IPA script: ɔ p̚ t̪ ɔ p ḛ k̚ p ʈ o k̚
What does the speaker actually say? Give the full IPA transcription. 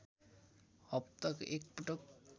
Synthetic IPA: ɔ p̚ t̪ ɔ k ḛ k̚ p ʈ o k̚